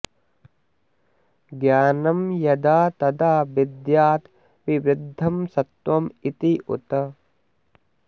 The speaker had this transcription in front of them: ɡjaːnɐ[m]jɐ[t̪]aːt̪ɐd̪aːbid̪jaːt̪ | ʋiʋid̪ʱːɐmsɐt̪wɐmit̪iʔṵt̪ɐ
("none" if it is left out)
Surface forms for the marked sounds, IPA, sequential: m, d̪

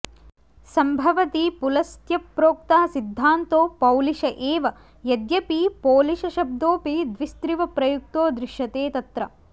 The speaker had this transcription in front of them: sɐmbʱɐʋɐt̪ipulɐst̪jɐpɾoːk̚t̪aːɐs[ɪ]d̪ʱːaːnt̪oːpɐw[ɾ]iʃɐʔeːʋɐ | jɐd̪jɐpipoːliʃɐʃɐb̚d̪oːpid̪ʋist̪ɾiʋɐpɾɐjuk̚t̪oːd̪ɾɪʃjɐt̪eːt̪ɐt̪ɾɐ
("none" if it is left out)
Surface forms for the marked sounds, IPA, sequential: i, l

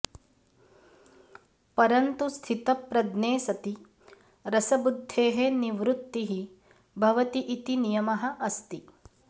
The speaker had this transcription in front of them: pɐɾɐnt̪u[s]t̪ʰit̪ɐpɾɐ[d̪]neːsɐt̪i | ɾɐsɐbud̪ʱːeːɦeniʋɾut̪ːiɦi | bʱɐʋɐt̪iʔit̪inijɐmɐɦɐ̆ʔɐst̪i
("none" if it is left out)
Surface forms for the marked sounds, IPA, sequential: s, d̪

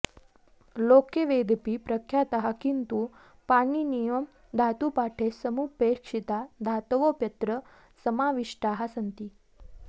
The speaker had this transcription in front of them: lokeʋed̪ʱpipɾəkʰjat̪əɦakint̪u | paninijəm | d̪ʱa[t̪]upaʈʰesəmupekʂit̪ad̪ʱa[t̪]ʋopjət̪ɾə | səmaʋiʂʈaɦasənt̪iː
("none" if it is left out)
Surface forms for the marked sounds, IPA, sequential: t̪, t̪

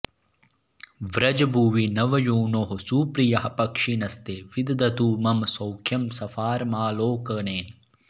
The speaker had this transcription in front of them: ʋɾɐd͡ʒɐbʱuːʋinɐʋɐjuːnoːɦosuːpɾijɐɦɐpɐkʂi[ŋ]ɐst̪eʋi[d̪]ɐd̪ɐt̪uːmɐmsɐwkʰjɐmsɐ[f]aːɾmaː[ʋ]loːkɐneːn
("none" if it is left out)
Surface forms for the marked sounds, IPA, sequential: n, d̪, f, none

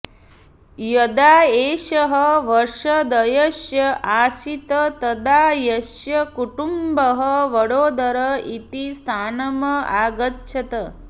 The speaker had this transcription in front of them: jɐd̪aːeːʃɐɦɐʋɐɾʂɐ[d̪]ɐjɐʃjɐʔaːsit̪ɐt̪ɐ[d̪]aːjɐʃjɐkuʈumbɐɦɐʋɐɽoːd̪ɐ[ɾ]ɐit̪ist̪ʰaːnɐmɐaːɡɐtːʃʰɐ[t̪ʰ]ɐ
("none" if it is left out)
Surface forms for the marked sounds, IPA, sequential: d̪, d̪, ɾ, t̪

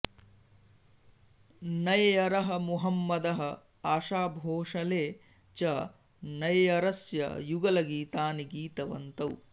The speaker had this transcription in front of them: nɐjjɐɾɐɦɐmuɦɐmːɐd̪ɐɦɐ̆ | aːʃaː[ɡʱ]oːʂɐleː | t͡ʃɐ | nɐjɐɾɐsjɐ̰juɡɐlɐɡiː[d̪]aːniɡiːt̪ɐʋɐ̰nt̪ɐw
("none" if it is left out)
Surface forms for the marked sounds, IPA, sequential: bʱ, t̪

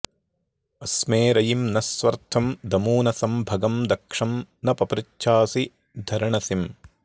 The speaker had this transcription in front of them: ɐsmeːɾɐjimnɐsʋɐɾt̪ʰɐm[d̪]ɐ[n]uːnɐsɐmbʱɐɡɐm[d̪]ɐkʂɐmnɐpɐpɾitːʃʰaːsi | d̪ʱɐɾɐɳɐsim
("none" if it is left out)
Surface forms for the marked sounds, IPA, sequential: d̪, m, d̪

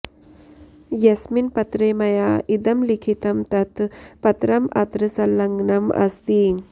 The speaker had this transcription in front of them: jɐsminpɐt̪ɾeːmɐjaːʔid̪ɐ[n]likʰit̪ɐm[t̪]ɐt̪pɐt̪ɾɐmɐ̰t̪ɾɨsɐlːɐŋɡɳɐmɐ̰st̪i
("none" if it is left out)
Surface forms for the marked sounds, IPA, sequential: m, t̪

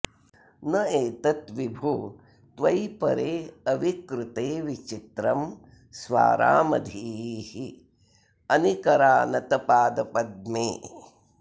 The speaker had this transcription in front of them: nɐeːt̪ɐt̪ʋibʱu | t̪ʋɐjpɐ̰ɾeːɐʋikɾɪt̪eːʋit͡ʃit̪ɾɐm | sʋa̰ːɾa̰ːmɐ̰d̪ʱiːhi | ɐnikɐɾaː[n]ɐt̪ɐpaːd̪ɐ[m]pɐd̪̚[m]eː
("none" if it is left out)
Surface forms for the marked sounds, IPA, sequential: n, none, m

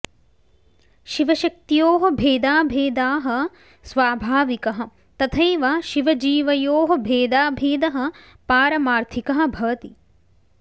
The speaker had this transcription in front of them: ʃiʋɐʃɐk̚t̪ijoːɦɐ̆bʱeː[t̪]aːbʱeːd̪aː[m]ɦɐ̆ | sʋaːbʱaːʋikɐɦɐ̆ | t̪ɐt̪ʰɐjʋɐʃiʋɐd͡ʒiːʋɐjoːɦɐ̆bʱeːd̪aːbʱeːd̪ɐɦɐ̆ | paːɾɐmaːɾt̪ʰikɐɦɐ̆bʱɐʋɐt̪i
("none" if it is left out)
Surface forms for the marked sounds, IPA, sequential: d̪, none

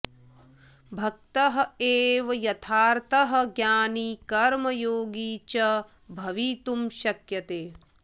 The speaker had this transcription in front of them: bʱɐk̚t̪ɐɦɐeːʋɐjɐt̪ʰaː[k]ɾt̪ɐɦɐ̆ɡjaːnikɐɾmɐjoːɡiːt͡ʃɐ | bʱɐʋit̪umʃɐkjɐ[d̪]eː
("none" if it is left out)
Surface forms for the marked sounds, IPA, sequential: none, t̪

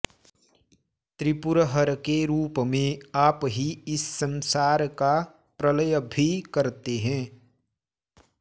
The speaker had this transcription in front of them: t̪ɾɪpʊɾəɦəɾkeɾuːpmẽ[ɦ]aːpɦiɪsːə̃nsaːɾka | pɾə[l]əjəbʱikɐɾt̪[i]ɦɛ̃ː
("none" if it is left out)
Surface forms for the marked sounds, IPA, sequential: none, l, e

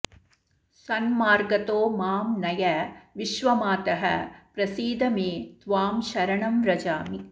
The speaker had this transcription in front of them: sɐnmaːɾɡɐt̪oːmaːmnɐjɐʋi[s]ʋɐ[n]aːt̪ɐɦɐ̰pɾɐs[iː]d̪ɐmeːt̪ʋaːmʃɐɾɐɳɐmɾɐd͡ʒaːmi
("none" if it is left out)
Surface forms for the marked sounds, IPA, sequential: ʃ, m, iː

